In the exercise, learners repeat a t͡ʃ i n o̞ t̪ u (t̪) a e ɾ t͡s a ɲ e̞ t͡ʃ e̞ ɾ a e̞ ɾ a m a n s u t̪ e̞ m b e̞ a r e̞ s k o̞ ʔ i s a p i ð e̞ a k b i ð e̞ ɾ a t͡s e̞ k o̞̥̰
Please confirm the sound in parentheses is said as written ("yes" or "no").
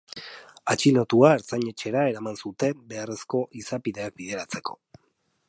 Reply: no